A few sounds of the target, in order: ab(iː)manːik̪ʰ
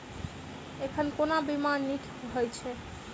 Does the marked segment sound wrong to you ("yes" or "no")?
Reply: yes